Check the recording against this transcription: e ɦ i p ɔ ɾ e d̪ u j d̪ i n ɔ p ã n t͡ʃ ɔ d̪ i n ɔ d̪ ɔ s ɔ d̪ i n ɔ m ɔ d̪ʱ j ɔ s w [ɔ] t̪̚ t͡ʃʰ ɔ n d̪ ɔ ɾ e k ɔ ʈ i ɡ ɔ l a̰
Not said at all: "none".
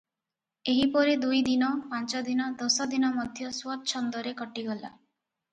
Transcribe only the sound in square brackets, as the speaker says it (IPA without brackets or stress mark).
ɔ